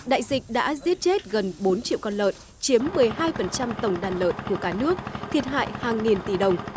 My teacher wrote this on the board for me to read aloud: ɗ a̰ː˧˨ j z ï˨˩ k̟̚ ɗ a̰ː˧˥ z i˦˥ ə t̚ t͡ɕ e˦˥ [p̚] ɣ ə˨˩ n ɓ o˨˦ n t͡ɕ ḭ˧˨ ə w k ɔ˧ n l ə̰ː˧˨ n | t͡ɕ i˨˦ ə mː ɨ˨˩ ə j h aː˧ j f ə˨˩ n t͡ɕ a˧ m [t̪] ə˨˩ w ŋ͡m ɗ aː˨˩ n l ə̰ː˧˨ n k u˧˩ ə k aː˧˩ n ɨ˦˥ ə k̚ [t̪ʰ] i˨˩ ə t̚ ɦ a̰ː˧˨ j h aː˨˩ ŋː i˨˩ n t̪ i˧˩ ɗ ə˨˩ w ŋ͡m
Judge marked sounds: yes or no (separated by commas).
no, yes, yes